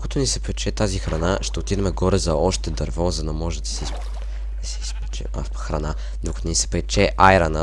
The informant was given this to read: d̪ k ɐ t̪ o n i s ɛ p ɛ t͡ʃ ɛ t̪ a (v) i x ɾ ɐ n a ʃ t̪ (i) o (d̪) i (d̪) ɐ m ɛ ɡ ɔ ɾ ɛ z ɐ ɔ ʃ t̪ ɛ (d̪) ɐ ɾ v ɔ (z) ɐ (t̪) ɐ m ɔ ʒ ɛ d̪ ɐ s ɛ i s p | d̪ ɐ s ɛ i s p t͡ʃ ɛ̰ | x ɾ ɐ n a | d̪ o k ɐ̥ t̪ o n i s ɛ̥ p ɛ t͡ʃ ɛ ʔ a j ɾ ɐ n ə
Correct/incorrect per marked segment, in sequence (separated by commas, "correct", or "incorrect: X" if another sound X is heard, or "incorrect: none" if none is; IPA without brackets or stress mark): incorrect: z, incorrect: ɛ, incorrect: t̪, correct, correct, correct, incorrect: d̪